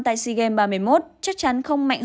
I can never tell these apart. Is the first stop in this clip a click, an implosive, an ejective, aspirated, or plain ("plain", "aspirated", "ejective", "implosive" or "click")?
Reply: plain